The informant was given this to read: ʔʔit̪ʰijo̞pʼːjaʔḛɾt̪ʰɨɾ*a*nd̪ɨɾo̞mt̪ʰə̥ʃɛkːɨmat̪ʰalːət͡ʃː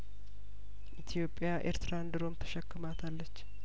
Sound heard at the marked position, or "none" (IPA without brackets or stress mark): a